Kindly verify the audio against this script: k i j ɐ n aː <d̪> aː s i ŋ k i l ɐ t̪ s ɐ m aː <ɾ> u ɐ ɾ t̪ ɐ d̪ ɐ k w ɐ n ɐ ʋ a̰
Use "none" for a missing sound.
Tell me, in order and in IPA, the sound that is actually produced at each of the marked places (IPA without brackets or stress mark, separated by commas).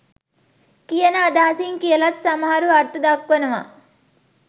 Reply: d̪, ɾ